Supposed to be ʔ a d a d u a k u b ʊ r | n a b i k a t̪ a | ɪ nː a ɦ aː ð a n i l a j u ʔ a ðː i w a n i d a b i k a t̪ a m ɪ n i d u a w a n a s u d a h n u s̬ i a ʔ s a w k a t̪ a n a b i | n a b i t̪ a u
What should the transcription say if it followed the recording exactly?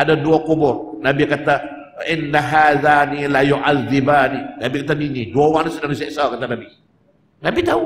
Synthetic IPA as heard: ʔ a d a d u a k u b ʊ r | n a b i k a t̪ a | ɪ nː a ɦ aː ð a n i l a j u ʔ a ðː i b a n i n a b i k a t̪ a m i n i d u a w a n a s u d a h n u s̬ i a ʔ s a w k a t̪ a n a b i | n a b i t̪ a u

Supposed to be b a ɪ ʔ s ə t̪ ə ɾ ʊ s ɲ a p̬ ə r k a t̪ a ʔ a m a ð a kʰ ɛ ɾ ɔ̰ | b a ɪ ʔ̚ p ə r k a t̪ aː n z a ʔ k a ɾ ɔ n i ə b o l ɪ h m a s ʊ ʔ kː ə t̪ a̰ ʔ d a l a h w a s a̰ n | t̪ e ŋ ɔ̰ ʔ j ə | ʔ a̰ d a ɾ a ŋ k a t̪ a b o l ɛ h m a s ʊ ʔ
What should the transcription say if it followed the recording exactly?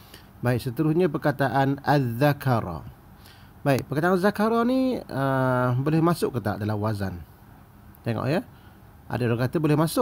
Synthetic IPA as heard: b a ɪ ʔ s ə t̪ ə ɾ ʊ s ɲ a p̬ ə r k a t̪ a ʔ a n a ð a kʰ a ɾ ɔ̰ | b a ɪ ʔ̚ p ə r k a t̪ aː n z a k a ɾ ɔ n i ə b o l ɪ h m a s ʊ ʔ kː ə t̪ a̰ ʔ d a l a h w a z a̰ n | t̪ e ŋ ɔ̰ ʔ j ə | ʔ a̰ d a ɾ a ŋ k a t̪ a b o l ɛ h m a s ʊ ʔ

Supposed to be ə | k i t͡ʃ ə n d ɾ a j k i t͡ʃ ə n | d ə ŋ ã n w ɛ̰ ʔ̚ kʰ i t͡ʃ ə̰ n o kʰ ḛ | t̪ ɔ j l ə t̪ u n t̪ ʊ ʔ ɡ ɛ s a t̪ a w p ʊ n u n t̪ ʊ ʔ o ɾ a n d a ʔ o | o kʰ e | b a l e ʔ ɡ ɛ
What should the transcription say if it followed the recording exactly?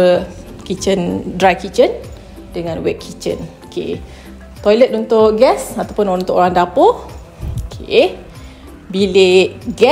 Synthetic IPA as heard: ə | k i t͡ʃ ə n d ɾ a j k i t͡ʃ ə n | d ə ŋ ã n w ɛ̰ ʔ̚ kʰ i t͡ʃ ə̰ n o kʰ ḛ | t̪ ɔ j l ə t̪ u n t̪ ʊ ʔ ɡ ɛ s a t̪ a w p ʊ n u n t̪ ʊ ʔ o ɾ a ŋ d a p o | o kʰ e | b i l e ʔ ɡ ɛ

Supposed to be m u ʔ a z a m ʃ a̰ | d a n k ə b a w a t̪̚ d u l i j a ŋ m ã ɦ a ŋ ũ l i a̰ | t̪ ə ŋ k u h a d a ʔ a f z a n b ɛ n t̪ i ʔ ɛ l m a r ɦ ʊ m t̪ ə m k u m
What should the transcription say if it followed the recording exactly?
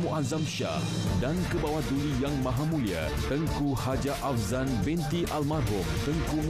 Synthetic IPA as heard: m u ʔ a z a m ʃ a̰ | d a n k ə b a w a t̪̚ d u l i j a ŋ m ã ɦ a m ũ l i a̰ | t̪ ə ŋ k u h a d͡ʒ a ʔ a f z a n b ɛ n t̪ i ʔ a l m a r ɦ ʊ m t̪ ə ŋ k u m

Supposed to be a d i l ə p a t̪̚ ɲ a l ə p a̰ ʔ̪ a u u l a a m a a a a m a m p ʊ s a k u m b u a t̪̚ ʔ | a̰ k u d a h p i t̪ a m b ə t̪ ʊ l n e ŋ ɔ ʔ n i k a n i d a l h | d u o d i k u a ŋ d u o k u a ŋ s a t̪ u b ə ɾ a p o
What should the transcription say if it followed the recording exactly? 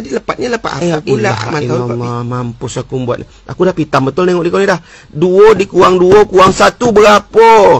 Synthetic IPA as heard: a d i l ə p a t̪̚ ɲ a l ə p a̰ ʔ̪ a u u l a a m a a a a m a m p ʊ s a k u m b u a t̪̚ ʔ | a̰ k u d a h p i t̪ a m b ə t̪ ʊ l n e ŋ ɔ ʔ d i k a n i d a h | d u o d i k u a ŋ d u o k u a ŋ s a t̪ u b ə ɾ a p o

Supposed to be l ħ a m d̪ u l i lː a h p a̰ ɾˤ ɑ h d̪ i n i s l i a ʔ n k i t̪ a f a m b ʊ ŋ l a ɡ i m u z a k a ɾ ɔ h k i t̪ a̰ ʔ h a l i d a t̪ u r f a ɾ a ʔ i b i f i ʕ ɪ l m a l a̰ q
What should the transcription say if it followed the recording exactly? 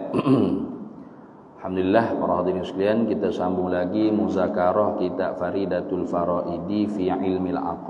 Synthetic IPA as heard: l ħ a m d̪ u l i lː a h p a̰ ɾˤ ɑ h d̪ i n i s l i a n k i t̪ a s a m b ʊ ŋ l a ɡ i m u z a k a ɾ ɔ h k i t̪ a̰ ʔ f a ɾ i d a t̪ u l f a ɾ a ʔ i d i f i ʕ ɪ l m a l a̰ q

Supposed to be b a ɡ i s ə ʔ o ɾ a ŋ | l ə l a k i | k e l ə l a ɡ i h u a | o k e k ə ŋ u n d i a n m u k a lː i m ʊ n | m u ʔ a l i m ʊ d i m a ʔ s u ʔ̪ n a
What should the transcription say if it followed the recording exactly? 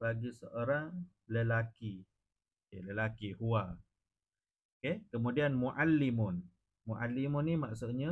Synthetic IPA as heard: b a ɡ i s ə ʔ o ɾ a ŋ | l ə l a k i | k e l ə l a k i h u a | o k e k ə m u d i a n m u ʔ a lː i m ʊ n | m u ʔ a l i m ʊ n i m a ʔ s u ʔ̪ ɲ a

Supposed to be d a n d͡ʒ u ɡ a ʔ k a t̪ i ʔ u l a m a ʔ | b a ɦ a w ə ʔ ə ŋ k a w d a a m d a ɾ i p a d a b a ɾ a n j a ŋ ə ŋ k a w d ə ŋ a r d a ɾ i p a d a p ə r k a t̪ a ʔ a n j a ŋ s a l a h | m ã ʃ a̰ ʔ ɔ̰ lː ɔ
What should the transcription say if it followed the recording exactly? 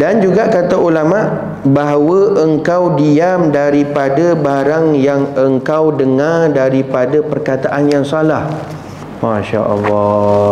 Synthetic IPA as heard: d a n d͡ʒ u ɡ a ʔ k a t̪ a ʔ u l a m a ʔ | b a ɦ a w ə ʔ ə ŋ k a w d i a m d a ɾ i p a d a b a ɾ a ŋ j a ŋ ə ŋ k a w d ə ŋ a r d a ɾ i p a d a p ə r k a t̪ a ʔ a n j a ŋ s a l a h | m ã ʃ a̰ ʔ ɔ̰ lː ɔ

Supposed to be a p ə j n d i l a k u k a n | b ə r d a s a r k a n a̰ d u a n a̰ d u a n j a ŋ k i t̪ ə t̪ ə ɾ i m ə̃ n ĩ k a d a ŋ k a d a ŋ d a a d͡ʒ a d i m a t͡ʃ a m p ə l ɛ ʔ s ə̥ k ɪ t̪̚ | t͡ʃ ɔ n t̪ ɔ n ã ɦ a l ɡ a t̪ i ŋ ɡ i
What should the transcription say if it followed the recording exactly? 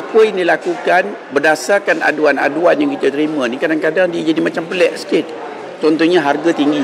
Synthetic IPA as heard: a p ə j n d i l a k u k a n | b ə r d a s a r k a n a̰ d u a n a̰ d u a n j a ŋ k i t̪ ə t̪ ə ɾ i m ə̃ n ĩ k a d a ŋ k a d a ŋ d i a d͡ʒ a d i m a t͡ʃ a m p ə l ɛ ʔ s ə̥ k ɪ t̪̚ | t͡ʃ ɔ n t̪ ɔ ɲ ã ɦ a r ɡ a t̪ i ŋ ɡ i

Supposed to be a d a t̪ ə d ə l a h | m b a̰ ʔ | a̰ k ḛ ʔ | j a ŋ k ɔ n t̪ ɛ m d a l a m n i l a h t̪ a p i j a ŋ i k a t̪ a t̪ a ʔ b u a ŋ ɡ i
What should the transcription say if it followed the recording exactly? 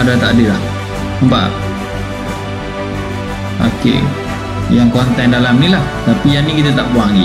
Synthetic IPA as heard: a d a t̪ a d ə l a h | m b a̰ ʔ | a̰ k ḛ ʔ | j a ŋ k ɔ n t̪ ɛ n d a l a m n i l a h t̪ a p i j a n i k i t̪ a t̪ a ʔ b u a ŋ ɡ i

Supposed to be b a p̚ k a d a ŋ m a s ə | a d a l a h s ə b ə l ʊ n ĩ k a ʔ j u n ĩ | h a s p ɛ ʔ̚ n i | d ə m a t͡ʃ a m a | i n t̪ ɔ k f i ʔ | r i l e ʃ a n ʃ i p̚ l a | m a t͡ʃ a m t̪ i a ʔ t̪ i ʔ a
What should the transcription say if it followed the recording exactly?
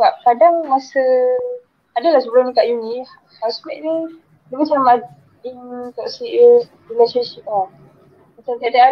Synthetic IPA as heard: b a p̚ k a d a ŋ m a s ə | a d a l a h s ə b ə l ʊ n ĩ k a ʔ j u n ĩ | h a s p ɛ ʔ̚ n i | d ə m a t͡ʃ a m a | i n t̪ ɔ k s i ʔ | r i l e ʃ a n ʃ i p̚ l a | m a t͡ʃ a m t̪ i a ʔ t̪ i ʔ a

